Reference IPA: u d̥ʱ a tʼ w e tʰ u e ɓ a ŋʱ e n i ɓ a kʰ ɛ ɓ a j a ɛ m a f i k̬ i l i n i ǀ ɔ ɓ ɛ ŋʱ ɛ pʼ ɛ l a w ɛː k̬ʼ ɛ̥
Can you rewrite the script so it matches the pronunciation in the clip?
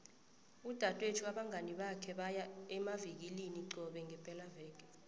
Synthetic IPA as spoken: u d̥ʱ a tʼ w e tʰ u a ɓ a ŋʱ a n i ɓ a kʰ ɛ ɓ a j a ɛ m a v i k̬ i l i n i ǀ ɔ ɓ ɛ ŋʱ ɛ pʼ ɛ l a v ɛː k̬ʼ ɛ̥